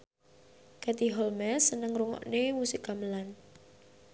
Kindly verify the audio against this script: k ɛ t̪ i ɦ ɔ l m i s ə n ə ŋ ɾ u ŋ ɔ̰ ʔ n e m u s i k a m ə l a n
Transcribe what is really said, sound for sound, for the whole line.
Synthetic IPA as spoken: k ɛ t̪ i ɦ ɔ l m ɛ s ə n ə ŋ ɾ u ŋ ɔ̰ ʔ n e m u s i k a m ə l a n